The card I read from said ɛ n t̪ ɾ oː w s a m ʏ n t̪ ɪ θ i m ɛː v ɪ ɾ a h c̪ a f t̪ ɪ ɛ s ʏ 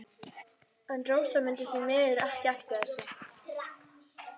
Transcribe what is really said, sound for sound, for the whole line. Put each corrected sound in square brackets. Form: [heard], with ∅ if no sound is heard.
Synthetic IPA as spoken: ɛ n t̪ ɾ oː w s a m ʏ n t̪ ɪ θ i m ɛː [ð] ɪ ɾ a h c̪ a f t̪ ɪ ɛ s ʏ